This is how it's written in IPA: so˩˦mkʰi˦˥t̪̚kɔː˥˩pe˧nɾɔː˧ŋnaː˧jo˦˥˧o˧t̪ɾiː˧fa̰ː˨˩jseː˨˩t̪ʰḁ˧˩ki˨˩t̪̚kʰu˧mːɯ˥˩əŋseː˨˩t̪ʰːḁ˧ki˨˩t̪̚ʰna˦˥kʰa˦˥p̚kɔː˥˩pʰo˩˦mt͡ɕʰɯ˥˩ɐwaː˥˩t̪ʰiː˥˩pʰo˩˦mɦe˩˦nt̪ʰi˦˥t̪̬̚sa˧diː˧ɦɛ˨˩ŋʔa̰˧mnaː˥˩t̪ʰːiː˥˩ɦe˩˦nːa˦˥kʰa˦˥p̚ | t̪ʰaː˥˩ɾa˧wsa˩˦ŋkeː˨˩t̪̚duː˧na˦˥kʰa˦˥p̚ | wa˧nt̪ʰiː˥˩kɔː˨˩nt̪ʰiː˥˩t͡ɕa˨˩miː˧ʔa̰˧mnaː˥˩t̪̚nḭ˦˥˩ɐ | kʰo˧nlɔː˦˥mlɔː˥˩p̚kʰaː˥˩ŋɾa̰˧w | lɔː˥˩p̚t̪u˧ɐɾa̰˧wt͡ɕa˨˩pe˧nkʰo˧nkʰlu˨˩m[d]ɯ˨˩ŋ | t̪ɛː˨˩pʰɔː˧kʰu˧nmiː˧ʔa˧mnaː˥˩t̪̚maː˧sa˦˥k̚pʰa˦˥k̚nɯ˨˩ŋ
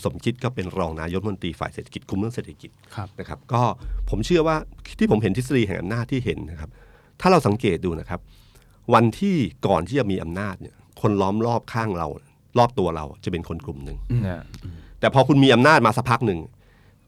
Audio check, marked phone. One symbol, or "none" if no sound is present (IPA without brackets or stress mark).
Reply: n